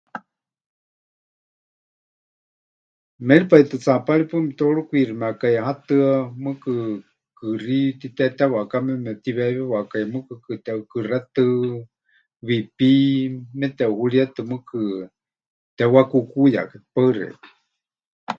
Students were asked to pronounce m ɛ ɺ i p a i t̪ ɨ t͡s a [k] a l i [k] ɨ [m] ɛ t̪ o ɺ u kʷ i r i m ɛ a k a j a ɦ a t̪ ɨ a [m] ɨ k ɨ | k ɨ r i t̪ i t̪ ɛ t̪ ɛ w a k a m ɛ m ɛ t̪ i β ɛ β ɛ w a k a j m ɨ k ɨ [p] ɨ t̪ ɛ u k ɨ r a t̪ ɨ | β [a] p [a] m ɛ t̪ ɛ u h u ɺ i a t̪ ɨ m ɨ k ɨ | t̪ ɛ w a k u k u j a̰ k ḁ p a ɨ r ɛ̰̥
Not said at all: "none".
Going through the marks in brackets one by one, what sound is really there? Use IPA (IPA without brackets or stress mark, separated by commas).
p, p, m, m, k, i, i